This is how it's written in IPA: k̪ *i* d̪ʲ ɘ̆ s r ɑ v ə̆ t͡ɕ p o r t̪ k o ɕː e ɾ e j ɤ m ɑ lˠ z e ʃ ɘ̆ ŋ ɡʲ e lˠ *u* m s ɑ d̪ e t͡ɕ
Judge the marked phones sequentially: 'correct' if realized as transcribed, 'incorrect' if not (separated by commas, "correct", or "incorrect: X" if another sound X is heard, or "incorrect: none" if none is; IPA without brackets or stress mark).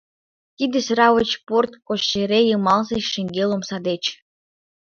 correct, incorrect: o